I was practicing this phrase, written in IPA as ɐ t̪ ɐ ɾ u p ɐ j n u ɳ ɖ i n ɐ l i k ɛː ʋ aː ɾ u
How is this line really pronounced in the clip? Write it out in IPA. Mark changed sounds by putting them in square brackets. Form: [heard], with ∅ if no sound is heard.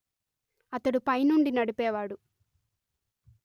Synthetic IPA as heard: ɐ t̪ ɐ [ɽ] u p ɐ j n u ɳ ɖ i n ɐ [ɽ] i [p] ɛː ʋ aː [ɽ] u